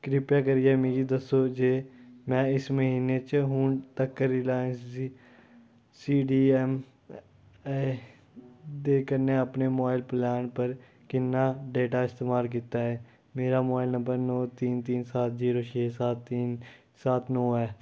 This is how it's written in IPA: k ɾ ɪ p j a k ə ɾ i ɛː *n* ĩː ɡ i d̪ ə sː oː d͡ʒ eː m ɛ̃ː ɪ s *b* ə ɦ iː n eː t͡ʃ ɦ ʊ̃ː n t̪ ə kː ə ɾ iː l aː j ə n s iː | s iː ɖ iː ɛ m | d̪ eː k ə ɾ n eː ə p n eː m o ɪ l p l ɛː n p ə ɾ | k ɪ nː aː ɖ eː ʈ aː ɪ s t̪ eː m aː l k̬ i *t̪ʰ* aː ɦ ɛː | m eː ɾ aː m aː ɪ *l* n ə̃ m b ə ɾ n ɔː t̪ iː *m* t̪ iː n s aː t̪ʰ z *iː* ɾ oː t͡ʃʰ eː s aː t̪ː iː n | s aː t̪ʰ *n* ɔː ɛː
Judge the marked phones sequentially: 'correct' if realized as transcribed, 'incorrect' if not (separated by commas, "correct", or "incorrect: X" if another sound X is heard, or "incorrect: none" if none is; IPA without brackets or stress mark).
incorrect: m, incorrect: m, incorrect: t̪, correct, incorrect: n, correct, correct